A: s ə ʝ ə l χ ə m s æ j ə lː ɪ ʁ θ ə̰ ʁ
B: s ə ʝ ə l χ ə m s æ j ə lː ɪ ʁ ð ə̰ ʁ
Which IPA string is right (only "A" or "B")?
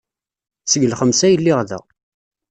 B